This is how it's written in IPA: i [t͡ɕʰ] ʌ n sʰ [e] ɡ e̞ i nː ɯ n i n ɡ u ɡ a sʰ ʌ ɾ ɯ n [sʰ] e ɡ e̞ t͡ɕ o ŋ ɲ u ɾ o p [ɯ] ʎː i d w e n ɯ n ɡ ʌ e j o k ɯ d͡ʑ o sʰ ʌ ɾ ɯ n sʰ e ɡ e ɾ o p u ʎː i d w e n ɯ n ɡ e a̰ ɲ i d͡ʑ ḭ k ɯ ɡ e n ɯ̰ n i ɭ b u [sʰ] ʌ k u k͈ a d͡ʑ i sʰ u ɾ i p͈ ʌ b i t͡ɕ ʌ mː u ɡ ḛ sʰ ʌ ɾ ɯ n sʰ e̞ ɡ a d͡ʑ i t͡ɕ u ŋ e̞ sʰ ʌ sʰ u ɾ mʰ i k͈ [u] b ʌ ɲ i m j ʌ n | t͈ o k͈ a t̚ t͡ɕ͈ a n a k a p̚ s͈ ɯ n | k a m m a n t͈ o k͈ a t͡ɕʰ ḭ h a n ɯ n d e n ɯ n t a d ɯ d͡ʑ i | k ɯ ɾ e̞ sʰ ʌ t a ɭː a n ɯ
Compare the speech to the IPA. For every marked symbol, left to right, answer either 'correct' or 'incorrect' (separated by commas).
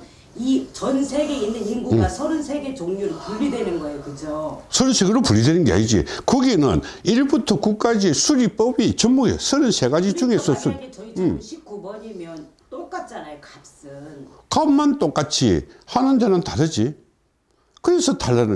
incorrect, correct, correct, incorrect, incorrect, correct